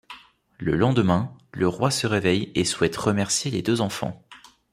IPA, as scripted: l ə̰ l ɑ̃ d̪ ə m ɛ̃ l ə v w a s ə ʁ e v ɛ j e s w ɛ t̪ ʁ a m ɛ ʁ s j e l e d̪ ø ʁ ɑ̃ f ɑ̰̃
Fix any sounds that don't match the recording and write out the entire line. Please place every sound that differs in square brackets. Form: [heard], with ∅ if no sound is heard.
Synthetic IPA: l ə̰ l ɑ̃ d̪ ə m ɛ̃ l ə [ʁ] w a s ə ʁ e v ɛ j e s w ɛ t̪ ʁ [ə] m ɛ ʁ s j e l e d̪ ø [z] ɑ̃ f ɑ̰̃